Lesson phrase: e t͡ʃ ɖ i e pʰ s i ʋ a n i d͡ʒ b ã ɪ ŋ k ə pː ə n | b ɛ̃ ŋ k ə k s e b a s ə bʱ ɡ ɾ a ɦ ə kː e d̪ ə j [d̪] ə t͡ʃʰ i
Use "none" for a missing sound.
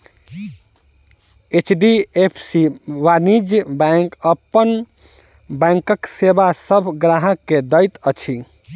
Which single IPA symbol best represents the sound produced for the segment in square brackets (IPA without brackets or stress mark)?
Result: t̪